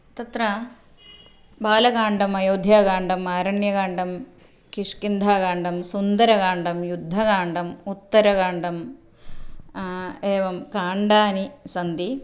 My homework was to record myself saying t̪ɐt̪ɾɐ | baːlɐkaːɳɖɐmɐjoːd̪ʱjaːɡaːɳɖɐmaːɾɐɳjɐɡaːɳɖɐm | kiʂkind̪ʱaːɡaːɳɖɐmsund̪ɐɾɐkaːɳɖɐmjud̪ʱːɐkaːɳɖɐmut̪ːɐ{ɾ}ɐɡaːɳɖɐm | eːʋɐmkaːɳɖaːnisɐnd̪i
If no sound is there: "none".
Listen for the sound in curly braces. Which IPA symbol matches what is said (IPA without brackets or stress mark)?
ɾ